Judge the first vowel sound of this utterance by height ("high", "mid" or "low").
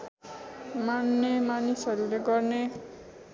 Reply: low